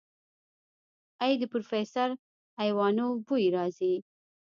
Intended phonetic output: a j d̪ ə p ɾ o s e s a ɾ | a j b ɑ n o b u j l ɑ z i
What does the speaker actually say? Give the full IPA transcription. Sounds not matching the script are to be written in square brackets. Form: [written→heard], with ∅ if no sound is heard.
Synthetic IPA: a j d̪ ə p ɾ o [s→f] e s a ɾ | a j [b→w] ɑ n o b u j [l→ɾ] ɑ z i